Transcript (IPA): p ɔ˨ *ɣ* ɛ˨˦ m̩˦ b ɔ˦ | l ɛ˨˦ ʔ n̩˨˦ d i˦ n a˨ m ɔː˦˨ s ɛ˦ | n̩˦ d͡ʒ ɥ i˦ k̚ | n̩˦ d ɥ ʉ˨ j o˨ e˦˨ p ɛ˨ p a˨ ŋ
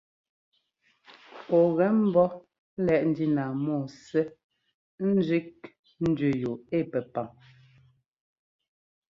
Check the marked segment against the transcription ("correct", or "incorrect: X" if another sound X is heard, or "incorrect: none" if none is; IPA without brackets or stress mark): correct